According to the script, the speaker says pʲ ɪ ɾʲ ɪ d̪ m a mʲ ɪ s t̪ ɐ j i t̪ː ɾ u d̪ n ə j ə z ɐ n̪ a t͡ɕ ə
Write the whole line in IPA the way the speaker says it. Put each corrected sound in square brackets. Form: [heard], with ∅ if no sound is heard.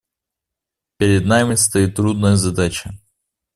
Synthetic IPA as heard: pʲ ɪ ɾʲ ɪ d̪ [n] a mʲ ɪ s t̪ ɐ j i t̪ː ɾ u d̪ n ə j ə z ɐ [d̪] a t͡ɕ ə